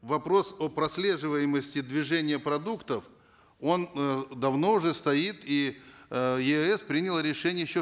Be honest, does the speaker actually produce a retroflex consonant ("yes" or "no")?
yes